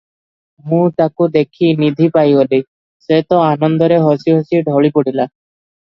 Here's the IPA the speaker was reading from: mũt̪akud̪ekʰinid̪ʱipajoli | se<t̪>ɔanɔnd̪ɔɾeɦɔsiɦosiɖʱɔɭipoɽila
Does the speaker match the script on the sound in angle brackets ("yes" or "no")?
yes